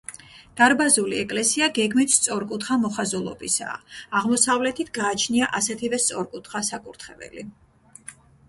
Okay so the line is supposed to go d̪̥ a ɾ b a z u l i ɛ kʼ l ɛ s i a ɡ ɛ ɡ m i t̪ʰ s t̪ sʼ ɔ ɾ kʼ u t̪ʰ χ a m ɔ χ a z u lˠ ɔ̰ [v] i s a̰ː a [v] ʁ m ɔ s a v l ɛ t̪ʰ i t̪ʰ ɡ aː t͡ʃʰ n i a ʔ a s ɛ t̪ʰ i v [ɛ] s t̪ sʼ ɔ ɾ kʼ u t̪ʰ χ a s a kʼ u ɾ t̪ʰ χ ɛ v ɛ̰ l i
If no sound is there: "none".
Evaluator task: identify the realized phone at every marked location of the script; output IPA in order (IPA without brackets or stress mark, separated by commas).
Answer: b, none, ɛ